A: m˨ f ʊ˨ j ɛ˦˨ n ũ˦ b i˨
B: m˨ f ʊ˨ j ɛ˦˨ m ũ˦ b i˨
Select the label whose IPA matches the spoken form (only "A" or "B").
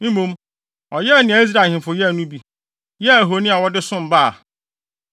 A